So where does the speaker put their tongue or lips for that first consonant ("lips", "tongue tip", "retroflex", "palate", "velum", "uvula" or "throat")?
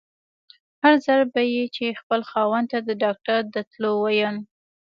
throat